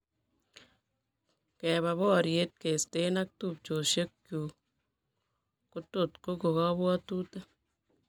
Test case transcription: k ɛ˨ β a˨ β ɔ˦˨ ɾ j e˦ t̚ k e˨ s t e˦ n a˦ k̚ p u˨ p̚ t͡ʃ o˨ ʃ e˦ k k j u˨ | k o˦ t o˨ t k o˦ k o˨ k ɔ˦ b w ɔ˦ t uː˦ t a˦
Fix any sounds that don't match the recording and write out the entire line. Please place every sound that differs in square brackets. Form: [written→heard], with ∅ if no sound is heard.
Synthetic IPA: k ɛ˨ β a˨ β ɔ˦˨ ɾ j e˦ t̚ k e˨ s t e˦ n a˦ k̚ [p→t] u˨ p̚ t͡ʃ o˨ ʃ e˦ k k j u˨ | k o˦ t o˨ t k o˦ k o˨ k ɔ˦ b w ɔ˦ t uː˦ t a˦